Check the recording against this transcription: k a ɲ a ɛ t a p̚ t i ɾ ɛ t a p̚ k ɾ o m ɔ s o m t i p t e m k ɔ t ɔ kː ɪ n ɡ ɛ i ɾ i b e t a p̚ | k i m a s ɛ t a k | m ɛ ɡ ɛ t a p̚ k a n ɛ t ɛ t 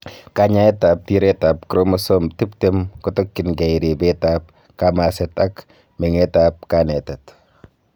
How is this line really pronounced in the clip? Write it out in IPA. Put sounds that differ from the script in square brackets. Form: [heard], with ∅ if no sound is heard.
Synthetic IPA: k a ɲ a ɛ t a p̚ t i ɾ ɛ t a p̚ k ɾ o m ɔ s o m t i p t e m k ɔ t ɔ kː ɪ n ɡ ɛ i ɾ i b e t a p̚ | k [a] m a s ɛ t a k | m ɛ [ŋ] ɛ t a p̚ k a n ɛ t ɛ t

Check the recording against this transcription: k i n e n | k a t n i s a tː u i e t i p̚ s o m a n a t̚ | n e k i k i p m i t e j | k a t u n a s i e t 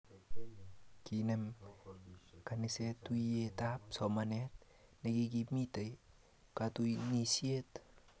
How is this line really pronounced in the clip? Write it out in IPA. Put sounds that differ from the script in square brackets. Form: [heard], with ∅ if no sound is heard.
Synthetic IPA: k i n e [m] | k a [∅] n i s [e] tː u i e t [a] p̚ s o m a n [e] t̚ | n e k i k i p m i t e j | k a t u n [i] s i e t

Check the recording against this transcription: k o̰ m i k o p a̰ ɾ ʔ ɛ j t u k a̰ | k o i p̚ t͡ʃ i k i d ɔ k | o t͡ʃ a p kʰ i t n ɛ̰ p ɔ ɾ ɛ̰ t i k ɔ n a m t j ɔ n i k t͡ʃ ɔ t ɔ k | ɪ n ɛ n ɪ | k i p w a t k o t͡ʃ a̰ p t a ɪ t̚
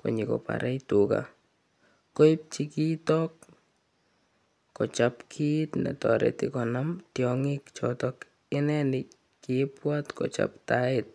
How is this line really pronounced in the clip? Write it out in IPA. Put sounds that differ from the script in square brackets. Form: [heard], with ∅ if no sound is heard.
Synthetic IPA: k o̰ [ɲ] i k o p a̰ ɾ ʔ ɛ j t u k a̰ | k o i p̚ t͡ʃ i k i [t] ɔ k | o t͡ʃ a p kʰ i t n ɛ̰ [t] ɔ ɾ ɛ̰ t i k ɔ n a m t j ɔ [ŋ] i k t͡ʃ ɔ t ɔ k | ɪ n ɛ n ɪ | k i p w a t k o t͡ʃ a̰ p t a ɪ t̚

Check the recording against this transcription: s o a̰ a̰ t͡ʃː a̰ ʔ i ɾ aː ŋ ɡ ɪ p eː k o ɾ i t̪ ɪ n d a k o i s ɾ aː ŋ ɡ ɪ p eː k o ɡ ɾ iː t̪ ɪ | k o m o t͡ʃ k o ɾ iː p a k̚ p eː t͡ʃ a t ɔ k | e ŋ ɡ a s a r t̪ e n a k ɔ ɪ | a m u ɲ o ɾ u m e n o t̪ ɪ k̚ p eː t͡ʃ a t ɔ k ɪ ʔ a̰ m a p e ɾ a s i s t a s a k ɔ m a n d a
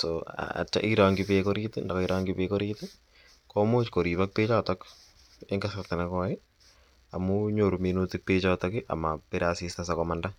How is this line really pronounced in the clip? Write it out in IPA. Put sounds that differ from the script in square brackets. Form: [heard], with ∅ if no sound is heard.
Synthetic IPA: s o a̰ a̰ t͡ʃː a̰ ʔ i ɾ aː ŋ ɡ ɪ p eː k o ɾ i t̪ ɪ n d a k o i [∅] ɾ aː ŋ ɡ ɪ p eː k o [∅] ɾ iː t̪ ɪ | k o m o t͡ʃ k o ɾ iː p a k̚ p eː t͡ʃ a t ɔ k | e ŋ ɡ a s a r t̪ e n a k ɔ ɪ | a m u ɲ o ɾ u m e n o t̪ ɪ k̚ p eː t͡ʃ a t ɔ k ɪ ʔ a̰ m a p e ɾ a s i s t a s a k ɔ m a n d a

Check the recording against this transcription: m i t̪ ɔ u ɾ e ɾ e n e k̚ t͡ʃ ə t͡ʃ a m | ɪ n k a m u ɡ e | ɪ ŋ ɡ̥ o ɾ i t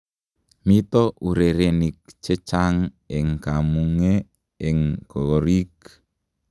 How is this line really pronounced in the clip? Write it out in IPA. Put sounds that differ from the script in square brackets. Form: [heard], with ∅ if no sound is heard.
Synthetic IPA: m i t̪ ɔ u ɾ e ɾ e n [i] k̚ t͡ʃ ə t͡ʃ a [ŋ] | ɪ [ŋ] k a m u [ŋ] e | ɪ ŋ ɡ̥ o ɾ i [k]

